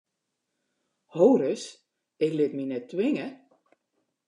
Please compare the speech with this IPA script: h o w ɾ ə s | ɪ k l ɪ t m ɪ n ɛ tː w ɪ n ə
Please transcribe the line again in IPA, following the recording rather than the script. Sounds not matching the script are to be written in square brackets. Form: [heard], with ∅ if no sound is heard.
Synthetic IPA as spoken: h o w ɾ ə s | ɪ k l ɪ t m [i] n ɛ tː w ɪ [ŋ] ə